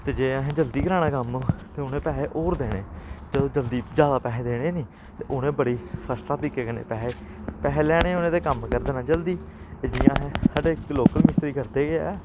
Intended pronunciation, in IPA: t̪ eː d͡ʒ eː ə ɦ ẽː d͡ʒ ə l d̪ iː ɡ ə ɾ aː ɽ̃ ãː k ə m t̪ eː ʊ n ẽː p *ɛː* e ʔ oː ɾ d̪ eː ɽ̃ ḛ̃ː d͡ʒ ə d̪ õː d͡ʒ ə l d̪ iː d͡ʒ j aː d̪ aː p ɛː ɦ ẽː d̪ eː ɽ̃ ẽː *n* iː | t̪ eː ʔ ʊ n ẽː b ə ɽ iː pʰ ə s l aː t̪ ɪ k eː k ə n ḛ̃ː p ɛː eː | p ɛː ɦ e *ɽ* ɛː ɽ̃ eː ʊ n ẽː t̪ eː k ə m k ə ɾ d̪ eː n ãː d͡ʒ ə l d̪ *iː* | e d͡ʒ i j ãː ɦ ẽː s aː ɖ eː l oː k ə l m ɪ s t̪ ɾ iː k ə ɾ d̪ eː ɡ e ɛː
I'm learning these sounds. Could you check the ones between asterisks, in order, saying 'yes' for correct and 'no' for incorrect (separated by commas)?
yes, yes, no, yes